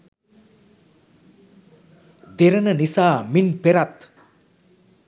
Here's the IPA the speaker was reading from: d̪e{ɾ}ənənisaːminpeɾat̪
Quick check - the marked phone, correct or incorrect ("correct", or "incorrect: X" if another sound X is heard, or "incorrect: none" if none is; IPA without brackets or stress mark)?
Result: correct